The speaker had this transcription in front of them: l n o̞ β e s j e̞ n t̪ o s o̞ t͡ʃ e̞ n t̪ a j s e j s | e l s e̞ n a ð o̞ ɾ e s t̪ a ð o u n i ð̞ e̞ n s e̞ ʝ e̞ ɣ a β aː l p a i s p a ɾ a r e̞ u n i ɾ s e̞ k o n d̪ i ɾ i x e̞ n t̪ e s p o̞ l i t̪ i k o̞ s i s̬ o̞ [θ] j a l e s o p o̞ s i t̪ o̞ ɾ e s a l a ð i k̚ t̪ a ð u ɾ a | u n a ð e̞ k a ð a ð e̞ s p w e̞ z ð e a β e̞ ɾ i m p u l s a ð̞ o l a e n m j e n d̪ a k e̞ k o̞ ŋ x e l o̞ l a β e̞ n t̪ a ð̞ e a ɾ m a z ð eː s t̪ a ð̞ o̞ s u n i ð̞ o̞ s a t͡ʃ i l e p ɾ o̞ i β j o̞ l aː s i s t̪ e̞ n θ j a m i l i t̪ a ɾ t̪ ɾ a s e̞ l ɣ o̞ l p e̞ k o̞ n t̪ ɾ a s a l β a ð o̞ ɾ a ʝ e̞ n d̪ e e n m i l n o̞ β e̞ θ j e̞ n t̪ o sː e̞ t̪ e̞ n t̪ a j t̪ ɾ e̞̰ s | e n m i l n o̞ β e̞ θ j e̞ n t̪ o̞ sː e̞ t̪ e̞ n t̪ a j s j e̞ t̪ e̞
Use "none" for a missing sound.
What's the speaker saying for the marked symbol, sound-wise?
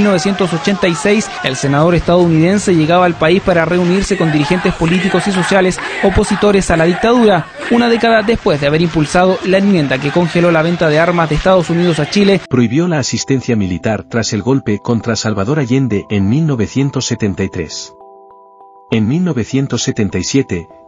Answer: s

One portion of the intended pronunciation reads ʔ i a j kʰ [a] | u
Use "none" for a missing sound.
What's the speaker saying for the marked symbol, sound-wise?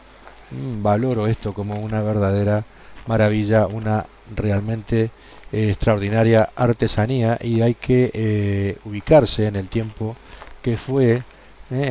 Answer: e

